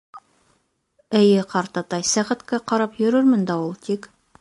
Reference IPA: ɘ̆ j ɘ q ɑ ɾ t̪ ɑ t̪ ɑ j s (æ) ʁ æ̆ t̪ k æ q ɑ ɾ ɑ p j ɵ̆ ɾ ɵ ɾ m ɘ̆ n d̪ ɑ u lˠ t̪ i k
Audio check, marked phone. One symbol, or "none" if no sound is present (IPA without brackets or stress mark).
æ